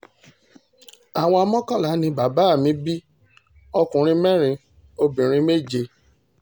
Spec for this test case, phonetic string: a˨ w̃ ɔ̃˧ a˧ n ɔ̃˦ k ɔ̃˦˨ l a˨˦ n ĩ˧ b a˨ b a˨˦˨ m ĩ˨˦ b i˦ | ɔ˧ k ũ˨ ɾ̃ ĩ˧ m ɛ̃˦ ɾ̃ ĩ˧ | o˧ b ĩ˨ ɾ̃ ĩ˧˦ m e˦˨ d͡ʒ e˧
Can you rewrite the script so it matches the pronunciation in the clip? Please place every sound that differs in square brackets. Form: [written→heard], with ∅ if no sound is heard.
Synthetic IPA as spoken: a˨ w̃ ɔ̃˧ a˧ [n→m] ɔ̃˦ k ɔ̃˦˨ l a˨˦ n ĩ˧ b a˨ b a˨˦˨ m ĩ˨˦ b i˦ | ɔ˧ k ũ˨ ɾ̃ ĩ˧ m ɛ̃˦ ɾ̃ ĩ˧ | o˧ b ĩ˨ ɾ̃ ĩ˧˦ m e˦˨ d͡ʒ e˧